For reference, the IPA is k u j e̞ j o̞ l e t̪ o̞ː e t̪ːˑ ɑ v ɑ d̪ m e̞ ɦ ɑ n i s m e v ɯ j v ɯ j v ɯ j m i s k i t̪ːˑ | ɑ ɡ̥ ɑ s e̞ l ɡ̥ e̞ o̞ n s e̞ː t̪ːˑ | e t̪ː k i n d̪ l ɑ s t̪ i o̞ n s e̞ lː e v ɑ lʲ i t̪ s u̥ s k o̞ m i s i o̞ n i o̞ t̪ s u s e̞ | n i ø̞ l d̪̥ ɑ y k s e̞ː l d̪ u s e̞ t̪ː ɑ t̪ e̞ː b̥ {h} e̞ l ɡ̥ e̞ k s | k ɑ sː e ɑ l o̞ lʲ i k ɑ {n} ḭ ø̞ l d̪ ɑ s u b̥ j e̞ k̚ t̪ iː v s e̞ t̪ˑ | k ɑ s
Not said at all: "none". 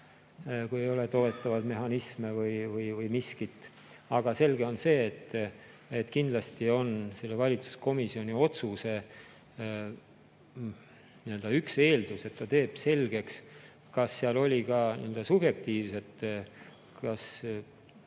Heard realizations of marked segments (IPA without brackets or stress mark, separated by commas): s, n